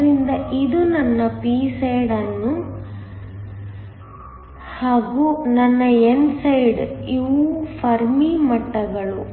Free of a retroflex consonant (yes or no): no